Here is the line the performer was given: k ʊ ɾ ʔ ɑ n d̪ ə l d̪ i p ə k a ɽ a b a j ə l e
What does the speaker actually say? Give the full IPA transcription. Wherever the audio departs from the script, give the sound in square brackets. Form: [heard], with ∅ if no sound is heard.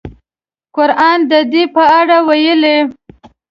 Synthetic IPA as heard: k ʊ ɾ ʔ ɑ n d̪ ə [∅] d̪ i p ə [∅] a ɽ a [w] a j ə l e